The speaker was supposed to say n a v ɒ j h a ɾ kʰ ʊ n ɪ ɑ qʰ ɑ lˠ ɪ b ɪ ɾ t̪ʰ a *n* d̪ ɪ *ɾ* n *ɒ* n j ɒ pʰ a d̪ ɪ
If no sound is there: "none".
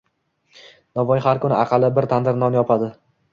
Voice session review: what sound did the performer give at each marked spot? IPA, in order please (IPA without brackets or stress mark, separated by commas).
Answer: n, ɾ, ɒ